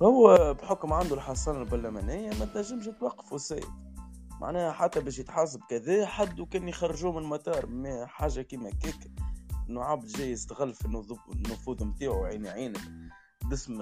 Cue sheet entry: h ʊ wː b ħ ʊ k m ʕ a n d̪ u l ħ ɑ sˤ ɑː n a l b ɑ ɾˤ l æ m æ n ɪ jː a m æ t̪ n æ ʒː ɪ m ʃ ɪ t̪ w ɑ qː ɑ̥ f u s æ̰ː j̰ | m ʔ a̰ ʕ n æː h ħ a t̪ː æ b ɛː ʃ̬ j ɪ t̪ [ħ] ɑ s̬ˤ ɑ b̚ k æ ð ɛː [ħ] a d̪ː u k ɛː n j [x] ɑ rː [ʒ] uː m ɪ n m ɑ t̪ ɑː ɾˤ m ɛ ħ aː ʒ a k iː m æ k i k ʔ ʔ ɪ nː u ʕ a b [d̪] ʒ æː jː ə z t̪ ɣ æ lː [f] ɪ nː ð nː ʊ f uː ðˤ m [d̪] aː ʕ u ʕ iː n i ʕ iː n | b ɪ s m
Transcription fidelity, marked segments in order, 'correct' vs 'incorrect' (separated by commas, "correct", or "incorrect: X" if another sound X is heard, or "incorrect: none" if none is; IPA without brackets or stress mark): correct, correct, correct, correct, correct, correct, incorrect: t̪